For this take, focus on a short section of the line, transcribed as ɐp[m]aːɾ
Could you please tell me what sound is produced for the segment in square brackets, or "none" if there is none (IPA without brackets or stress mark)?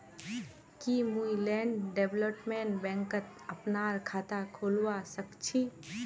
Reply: n